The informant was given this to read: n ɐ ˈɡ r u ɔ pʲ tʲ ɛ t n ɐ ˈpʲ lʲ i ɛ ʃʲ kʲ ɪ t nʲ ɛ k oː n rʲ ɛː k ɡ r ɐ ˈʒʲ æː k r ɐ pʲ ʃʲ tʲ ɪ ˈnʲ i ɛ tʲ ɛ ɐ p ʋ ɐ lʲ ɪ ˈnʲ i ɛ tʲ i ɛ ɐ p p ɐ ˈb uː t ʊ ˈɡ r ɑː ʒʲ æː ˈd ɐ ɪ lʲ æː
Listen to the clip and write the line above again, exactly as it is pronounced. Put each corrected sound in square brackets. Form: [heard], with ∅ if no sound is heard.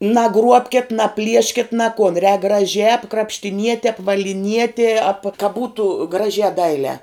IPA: n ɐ ˈɡ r u ɔ pʲ [kʲ] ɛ t n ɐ ˈpʲ lʲ i ɛ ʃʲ kʲ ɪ t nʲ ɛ k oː n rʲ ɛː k ɡ r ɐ ˈʒʲ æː k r ɐ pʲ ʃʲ tʲ ɪ ˈnʲ i ɛ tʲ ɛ ɐ p ʋ ɐ lʲ ɪ ˈnʲ i ɛ tʲ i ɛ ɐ p [k] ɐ ˈb uː t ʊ ˈɡ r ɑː ʒʲ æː ˈd ɐ ɪ lʲ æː